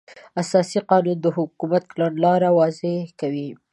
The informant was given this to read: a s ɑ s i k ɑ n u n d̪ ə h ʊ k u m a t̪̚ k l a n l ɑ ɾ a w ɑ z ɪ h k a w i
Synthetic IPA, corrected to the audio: a s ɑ s i q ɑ n u n d̪ ə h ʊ k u m a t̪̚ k l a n l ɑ ɾ a w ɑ z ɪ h k a w i